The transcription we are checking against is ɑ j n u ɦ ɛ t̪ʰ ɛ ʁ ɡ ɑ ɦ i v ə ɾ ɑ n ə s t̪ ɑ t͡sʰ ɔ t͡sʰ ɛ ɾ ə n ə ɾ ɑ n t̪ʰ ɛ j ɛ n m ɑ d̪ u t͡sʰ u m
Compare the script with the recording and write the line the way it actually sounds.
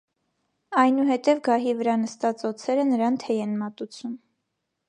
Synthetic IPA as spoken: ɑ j n u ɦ ɛ t̪ ɛ v ɡ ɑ ɦ i v ə ɾ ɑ n ə s t̪ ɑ t͡s ɔ t͡sʰ ɛ ɾ ə n ə ɾ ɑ n t̪ʰ ɛ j ɛ n m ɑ t̪ u t͡sʰ u m